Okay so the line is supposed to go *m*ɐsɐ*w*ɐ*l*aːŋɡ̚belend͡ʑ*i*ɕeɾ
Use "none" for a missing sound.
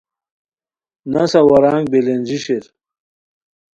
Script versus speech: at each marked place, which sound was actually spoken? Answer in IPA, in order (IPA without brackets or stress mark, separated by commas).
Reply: n, w, ɾ, i